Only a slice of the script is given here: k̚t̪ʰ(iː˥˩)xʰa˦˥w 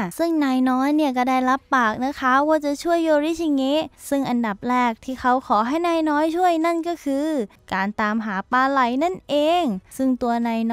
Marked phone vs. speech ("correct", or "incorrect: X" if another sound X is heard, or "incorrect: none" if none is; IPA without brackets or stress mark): correct